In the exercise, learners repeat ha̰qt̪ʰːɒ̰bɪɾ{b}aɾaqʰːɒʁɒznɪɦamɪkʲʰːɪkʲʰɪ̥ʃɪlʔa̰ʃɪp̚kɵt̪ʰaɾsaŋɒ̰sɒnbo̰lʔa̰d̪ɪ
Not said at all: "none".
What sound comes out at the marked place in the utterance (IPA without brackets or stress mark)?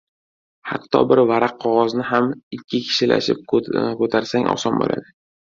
v